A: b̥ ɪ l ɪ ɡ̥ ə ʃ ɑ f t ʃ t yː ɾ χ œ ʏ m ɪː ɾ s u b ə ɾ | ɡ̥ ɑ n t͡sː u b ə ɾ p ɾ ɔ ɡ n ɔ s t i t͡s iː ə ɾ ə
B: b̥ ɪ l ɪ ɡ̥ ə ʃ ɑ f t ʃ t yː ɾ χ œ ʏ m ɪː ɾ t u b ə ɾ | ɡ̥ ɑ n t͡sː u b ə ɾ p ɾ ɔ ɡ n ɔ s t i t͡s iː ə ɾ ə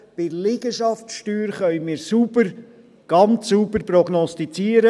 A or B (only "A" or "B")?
A